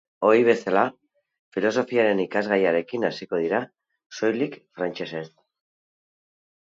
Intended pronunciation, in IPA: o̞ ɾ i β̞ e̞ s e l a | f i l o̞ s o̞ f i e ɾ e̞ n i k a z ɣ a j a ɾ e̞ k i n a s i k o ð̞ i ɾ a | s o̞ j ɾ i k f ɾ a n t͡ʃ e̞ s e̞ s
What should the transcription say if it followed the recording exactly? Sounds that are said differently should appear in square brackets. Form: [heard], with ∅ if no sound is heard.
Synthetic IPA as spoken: o̞ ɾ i β̞ e̞ s [a] l a | f i l o̞ s o̞ f i [a] ɾ e̞ n i k a z ɣ a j a ɾ e̞ k i n a s i k o ð̞ i ɾ a | s o̞ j [l] i k f ɾ a n t͡ʃ e̞ s e̞ s